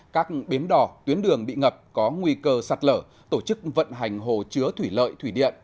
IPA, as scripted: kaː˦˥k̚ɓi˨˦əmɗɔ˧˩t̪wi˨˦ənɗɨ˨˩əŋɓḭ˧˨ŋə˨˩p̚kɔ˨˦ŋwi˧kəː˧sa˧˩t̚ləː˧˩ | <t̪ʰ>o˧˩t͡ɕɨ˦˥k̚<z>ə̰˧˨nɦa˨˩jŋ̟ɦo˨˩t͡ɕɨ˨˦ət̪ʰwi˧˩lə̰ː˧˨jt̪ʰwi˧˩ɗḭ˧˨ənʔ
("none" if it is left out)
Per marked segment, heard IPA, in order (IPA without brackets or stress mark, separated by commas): t̪, v